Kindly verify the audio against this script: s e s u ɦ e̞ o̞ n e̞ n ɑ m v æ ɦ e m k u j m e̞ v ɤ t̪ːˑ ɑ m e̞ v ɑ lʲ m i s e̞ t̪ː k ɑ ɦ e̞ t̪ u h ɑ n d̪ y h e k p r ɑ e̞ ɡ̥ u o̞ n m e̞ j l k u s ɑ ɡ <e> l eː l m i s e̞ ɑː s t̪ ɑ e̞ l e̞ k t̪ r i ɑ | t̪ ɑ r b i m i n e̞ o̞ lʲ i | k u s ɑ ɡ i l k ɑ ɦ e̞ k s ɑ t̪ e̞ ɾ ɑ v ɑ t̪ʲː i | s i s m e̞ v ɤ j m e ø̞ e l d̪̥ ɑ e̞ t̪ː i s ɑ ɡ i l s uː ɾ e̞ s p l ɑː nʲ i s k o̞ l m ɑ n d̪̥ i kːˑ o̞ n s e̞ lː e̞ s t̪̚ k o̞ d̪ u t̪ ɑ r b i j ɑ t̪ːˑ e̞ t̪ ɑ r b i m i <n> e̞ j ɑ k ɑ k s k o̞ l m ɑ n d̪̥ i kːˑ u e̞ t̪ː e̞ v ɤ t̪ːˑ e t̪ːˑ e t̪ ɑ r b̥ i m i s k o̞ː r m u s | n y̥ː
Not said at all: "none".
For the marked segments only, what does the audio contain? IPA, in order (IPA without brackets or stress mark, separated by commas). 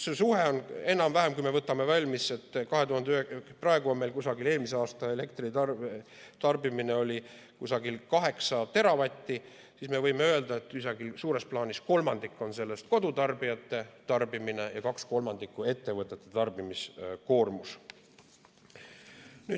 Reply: i, n